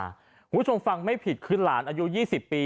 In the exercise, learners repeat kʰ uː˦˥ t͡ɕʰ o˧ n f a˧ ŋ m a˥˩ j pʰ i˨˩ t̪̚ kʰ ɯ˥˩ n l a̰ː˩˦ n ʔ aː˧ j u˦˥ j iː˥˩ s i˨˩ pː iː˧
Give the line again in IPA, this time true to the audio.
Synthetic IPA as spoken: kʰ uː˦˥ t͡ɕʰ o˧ m f a˧ ŋ m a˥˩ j pʰ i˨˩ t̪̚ kʰ ɯ˧ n l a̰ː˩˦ n ʔ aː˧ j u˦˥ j iː˥˩ s i˨˩ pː iː˧